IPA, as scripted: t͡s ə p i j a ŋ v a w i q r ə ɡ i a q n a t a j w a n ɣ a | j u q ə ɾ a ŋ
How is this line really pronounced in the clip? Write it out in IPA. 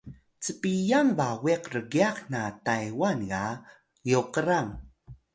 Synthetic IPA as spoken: t͡s ə p i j a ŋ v a w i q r ə ɡ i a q n a t a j w a n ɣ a | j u q ə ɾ a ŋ